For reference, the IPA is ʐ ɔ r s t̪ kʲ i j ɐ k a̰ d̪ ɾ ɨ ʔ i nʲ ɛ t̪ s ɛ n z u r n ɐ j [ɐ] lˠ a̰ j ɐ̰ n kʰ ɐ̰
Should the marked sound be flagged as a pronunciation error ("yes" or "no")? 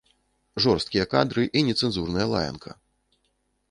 no